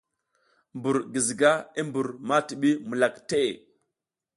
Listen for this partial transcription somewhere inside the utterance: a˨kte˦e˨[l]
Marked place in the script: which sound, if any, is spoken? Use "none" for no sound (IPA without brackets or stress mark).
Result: none